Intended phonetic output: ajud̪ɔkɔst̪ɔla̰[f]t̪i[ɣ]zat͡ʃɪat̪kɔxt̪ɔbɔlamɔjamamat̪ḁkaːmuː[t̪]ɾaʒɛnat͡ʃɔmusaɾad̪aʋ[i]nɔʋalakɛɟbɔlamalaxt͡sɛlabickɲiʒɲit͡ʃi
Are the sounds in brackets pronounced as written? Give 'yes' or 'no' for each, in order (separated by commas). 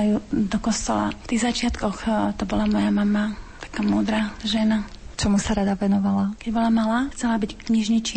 yes, yes, no, no